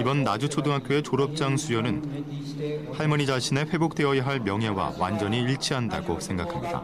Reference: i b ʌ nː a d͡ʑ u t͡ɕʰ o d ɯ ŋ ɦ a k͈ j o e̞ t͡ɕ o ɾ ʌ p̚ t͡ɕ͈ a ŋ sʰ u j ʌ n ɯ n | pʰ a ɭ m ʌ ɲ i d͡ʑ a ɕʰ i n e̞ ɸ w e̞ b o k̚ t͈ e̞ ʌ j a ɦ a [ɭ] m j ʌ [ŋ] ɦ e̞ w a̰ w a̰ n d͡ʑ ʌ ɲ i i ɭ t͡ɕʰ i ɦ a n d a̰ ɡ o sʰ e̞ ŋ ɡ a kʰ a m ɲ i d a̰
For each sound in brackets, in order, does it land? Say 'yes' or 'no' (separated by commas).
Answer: yes, yes